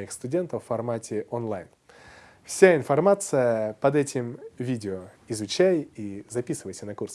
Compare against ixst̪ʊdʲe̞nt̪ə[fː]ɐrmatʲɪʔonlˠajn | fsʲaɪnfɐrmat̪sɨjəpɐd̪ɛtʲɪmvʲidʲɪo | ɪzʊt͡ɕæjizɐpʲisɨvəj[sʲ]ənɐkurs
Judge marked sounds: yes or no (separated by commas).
yes, yes